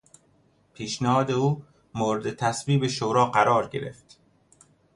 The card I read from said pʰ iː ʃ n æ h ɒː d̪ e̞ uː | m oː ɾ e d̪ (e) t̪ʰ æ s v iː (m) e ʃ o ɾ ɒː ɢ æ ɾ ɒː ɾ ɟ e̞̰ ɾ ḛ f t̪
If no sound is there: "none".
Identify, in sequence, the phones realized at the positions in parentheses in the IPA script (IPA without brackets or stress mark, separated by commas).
e, b